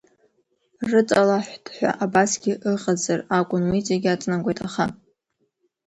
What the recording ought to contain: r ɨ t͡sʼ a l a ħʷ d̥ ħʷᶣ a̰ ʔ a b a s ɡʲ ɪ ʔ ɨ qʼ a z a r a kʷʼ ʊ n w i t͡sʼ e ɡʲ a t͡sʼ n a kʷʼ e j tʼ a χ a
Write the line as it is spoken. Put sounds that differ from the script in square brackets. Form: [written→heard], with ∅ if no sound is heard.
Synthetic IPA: r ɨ t͡sʼ a l a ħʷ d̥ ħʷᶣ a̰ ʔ a b a s ɡʲ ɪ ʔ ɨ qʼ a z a r a kʷʼ ʊ n w i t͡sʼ e ɡʲ a t͡sʼ n a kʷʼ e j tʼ a χ a

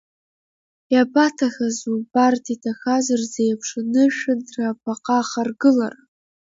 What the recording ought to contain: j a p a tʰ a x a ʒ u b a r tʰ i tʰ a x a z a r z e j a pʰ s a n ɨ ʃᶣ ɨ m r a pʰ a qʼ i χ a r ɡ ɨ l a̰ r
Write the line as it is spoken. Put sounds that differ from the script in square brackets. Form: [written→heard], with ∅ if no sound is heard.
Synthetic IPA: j a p a tʰ a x a [ʒ→z] u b a r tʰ i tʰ a x a z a r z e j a pʰ [s→ʂ] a n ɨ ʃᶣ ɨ [m→n] r a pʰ a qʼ [i→a] χ a r ɡ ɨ l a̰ r

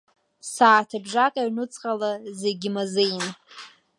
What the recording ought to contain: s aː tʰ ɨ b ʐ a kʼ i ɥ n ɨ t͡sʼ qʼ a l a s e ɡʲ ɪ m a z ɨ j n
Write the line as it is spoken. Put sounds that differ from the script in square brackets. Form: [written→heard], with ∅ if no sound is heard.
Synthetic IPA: s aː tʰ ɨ b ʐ a kʼ [i→a] ɥ n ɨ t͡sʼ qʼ a l a [s→z] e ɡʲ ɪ m a z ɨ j n

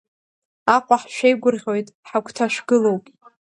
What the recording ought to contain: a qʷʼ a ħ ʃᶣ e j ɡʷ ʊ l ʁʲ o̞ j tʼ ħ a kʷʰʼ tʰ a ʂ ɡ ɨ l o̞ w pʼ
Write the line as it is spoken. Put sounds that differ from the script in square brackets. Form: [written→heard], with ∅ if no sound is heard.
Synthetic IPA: a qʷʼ a ħ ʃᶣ e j ɡʷ ʊ [l→r] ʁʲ o̞ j tʼ ħ a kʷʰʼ tʰ a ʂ ɡ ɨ l o̞ w pʼ

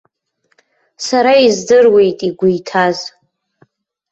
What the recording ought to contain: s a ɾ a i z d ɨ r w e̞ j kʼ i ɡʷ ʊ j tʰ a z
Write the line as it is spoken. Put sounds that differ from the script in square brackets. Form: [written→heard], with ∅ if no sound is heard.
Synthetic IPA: s a ɾ a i z d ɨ r w e̞ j [kʼ→tʼ] i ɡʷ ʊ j tʰ a z

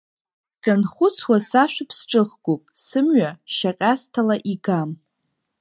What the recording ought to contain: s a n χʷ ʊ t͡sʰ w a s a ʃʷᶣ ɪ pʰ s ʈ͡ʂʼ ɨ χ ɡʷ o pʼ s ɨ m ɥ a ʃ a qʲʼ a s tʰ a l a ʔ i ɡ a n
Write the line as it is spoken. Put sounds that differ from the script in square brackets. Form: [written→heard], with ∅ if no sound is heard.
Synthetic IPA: s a n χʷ ʊ t͡sʰ w a s a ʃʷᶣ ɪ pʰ s ʈ͡ʂʼ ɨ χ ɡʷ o pʼ s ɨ m ɥ a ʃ a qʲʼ a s tʰ a l a ʔ i ɡ a [n→m]

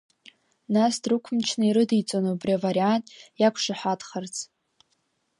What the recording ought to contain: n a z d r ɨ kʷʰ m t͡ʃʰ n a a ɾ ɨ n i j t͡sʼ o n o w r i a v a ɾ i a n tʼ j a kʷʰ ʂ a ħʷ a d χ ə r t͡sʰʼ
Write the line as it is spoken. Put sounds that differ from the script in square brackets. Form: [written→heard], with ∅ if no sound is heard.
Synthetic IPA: n a [z→s] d r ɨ kʷʰ m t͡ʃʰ n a [a→i] ɾ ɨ [n→d] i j t͡sʼ o n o [w→b] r i a v a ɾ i a n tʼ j a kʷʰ ʂ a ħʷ a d χ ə r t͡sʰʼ

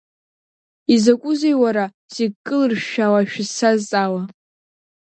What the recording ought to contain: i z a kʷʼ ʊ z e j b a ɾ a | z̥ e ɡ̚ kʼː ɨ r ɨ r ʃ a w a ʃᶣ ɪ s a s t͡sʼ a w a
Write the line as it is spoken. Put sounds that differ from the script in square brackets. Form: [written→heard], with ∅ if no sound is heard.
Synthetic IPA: i z a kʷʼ ʊ z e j [b→w] a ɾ a | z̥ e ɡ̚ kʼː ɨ [r→l] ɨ r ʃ a w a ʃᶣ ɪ s a [s→z] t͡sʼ a w a

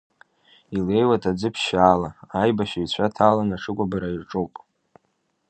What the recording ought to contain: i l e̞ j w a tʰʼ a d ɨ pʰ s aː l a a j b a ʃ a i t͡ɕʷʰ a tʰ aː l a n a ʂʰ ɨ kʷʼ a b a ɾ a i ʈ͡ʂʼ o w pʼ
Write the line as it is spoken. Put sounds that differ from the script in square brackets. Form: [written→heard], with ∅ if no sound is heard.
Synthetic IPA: i l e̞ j w a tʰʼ a [d→d͡z] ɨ pʰ [s→ʃ] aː l a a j b a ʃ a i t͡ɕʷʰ a tʰ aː l a n a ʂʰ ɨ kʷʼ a b a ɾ a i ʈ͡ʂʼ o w pʼ

